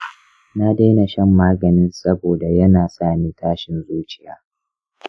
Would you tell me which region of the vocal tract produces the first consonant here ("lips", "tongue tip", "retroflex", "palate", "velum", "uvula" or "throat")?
tongue tip